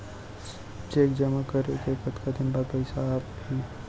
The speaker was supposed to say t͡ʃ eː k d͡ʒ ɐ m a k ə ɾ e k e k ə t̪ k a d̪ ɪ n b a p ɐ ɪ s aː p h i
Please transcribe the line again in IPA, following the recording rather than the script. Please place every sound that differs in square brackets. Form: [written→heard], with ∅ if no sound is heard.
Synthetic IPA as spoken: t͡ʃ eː k d͡ʒ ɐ m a k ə ɾ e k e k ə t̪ k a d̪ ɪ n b a p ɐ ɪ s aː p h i

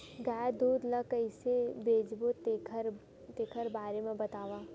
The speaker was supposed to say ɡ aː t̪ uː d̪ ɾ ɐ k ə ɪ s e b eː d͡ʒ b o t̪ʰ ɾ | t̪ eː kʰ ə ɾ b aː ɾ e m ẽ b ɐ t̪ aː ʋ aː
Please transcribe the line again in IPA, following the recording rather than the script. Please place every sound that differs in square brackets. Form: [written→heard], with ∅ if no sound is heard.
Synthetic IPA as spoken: ɡ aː [t̪→d̪] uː d̪ [ɾ→l] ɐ k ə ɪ s e b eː d͡ʒ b o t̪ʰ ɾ | t̪ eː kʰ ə ɾ b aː ɾ e m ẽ b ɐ t̪ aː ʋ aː

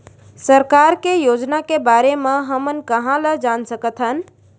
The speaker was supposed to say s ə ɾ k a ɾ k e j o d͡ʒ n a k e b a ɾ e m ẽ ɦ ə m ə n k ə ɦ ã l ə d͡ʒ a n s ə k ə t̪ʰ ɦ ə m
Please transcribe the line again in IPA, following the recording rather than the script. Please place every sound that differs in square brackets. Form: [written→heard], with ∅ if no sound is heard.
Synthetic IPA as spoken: s ə ɾ k a ɾ k e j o d͡ʒ n a k e b a ɾ e m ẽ ɦ ə m ə n k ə ɦ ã l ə d͡ʒ a n s ə k ə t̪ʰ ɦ ə [m→n]

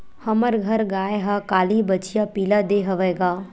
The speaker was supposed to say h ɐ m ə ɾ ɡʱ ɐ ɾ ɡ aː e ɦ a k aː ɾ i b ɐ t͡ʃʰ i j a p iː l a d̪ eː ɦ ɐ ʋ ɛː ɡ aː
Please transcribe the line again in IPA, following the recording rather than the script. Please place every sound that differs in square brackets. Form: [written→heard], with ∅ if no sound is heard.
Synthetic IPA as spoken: h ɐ m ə ɾ ɡʱ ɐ ɾ ɡ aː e ɦ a k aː [ɾ→l] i b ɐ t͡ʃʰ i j a p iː l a d̪ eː ɦ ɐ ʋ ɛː ɡ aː

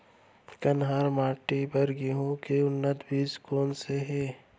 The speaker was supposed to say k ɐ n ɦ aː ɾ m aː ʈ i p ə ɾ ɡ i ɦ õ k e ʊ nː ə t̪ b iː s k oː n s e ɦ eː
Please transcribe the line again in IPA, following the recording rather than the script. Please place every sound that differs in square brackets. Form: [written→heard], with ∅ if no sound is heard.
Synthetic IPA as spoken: k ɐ n ɦ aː ɾ m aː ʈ i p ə ɾ ɡ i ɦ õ k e ʊ nː ə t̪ b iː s k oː n s e ɦ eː

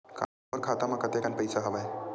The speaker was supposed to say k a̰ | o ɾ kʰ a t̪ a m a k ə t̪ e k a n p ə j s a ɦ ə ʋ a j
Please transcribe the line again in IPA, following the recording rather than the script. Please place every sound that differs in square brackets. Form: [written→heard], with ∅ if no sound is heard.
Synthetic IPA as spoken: k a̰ | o ɾ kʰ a t̪ a m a k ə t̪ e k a n p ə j s a ɦ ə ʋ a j

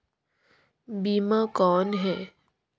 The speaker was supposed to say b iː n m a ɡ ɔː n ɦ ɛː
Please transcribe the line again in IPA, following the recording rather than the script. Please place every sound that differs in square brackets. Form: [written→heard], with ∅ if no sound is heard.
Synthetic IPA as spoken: b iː [n→∅] m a [ɡ→k] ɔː n ɦ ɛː

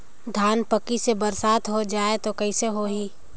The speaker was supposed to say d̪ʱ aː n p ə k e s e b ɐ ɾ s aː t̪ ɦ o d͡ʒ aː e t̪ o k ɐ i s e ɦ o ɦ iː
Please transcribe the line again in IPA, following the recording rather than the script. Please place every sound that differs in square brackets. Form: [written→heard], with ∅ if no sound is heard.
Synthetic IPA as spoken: d̪ʱ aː n p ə k [e→i] s e b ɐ ɾ s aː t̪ ɦ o d͡ʒ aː e t̪ o k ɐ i s e ɦ o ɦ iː

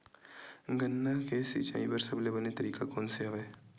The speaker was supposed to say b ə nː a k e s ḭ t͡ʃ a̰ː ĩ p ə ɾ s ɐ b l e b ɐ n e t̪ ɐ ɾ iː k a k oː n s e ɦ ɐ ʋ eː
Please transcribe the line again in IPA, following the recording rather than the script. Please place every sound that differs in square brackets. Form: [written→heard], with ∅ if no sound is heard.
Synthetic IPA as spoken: [b→ɡ] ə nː a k e s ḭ t͡ʃ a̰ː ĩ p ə ɾ s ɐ b l e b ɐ n e t̪ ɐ ɾ iː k a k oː n s e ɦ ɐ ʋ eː

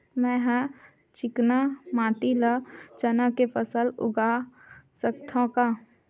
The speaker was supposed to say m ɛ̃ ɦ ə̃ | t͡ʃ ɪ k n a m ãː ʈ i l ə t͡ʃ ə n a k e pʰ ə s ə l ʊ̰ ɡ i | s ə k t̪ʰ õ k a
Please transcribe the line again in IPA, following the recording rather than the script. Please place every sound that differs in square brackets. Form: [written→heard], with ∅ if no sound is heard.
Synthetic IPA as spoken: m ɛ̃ ɦ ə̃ | t͡ʃ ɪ k n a m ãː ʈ i l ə t͡ʃ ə n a k e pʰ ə s ə l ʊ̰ ɡ [i→a] | s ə k t̪ʰ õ k a

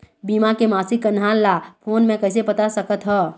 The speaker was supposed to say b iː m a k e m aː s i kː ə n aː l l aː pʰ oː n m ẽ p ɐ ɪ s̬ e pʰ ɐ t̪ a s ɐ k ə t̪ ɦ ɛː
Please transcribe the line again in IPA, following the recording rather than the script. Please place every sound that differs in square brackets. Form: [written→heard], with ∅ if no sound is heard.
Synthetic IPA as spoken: b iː m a k e m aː s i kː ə n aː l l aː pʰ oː n m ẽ [p→k] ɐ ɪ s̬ e [pʰ→p] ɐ t̪ a s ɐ k ə t̪ ɦ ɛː

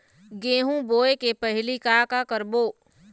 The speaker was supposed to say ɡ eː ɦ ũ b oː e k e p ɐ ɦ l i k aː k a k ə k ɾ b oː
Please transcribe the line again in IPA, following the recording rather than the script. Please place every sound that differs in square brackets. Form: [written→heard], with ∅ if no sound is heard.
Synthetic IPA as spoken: ɡ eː ɦ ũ b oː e k e p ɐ ɦ l i k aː k a k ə [k→∅] ɾ b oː

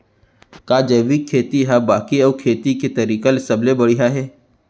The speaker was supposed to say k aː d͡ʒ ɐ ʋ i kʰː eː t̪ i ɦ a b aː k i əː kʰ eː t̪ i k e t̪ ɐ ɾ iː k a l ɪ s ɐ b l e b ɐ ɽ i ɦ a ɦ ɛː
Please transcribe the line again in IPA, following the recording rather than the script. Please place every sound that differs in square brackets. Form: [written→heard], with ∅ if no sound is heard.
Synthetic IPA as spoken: k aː d͡ʒ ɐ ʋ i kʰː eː t̪ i ɦ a b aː k i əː kʰ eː t̪ i k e t̪ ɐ ɾ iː k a l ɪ s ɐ b l e b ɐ ɽ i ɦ a ɦ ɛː

